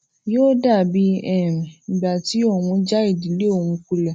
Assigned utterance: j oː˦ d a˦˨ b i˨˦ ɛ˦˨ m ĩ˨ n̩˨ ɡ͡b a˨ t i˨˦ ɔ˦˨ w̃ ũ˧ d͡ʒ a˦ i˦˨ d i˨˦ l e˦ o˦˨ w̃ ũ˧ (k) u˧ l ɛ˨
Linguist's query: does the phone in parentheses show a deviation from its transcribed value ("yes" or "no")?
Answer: no